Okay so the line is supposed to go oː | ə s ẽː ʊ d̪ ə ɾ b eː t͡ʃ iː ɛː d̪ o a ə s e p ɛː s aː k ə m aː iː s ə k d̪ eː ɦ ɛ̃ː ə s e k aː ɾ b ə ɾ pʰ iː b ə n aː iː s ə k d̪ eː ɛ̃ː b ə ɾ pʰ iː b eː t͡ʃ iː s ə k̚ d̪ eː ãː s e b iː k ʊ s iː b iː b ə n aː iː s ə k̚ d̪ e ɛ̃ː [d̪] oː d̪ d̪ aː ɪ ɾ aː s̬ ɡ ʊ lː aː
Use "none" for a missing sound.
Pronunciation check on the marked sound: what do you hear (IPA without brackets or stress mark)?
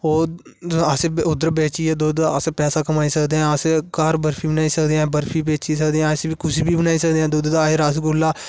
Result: d̪